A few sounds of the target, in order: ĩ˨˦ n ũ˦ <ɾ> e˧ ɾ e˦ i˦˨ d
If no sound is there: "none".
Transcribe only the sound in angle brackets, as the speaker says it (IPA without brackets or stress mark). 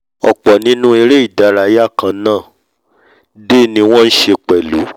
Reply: none